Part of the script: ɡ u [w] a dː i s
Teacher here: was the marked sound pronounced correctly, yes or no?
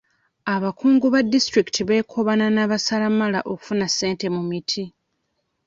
no